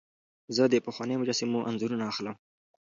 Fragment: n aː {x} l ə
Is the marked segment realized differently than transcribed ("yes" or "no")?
no